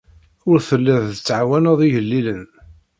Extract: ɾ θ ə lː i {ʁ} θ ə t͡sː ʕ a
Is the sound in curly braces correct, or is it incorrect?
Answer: incorrect